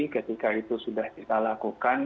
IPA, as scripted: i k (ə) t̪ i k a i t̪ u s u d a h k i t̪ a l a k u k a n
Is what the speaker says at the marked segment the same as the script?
yes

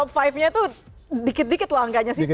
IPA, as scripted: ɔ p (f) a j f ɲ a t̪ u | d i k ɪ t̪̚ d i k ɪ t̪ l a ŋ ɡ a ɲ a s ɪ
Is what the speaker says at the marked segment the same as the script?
yes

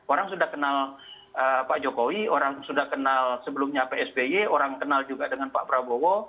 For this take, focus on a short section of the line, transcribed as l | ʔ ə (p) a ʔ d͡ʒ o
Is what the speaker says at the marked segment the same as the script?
yes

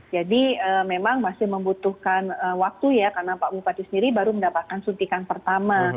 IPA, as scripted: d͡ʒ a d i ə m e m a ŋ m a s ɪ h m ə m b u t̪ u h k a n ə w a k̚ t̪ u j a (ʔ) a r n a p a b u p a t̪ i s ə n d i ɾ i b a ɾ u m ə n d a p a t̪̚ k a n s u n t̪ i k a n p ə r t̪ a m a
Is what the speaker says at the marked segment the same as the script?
no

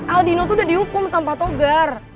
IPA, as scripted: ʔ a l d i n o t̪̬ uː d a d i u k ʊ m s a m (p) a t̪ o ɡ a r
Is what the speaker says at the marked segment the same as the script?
yes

